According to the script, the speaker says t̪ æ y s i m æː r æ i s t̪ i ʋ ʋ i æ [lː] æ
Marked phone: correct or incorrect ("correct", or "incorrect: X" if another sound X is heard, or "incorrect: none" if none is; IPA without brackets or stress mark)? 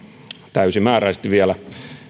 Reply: incorrect: l